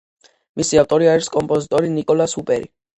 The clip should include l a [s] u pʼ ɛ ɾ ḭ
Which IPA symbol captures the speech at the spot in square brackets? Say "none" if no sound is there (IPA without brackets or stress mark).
s